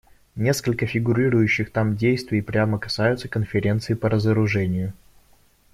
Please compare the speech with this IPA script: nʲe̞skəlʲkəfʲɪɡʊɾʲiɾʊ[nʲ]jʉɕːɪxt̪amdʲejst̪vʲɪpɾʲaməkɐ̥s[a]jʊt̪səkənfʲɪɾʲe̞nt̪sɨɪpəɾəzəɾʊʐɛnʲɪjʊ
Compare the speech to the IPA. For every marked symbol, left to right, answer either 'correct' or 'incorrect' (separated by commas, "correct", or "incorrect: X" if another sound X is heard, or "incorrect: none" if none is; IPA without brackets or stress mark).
incorrect: none, correct